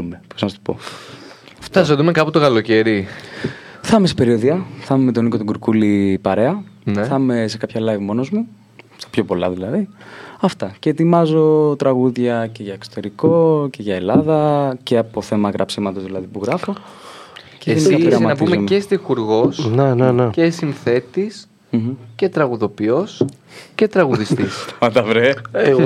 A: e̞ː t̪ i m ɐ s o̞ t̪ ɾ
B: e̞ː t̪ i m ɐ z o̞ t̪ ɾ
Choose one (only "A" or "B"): B